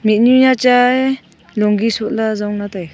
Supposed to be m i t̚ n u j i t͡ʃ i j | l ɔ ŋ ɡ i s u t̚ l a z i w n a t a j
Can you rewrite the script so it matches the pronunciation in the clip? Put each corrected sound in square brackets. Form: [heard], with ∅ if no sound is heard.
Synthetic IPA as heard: m i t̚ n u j [a] t͡ʃ [a] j | l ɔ ŋ ɡ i s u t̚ l a z [a] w n a t a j